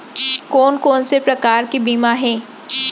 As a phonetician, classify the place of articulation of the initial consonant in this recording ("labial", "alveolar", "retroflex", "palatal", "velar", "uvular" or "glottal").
velar